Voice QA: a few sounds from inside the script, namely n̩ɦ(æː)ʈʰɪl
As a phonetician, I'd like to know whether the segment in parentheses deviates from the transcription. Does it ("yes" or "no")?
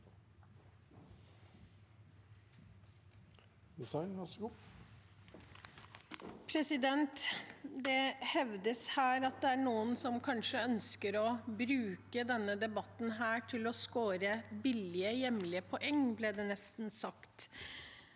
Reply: no